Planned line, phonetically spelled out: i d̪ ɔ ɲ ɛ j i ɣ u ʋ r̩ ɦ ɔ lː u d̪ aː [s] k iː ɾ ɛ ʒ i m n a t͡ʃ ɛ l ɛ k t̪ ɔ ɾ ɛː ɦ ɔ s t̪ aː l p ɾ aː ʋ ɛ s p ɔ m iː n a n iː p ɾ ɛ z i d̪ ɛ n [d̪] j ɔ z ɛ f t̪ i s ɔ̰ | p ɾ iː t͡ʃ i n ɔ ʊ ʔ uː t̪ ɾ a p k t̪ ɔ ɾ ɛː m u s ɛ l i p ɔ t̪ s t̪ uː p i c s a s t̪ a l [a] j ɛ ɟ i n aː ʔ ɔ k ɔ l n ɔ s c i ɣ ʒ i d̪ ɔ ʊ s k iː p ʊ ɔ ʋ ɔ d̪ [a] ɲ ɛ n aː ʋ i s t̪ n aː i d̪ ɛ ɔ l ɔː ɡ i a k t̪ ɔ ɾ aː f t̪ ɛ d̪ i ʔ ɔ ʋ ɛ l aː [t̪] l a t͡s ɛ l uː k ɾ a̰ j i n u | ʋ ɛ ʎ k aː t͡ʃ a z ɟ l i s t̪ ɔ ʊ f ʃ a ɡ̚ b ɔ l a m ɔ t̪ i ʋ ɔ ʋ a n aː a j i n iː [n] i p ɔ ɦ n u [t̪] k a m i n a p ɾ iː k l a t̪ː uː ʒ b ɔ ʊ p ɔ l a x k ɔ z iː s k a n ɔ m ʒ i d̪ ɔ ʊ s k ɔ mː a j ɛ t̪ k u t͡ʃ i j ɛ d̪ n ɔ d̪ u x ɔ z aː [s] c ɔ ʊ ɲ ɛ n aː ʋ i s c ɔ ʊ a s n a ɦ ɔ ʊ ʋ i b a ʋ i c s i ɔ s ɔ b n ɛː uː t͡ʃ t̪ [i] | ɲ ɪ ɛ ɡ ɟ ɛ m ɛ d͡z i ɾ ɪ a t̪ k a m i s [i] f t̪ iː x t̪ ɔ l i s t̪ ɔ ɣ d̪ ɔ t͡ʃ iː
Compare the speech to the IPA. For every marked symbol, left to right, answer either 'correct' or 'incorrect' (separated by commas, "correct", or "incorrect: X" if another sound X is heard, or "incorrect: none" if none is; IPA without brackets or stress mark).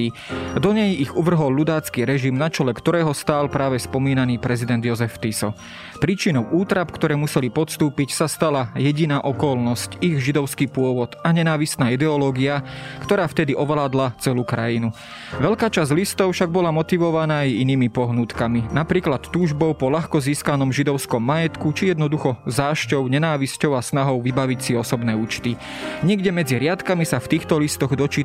incorrect: t͡s, correct, correct, correct, incorrect: d̪, incorrect: m, correct, incorrect: ʃ, correct, incorrect: a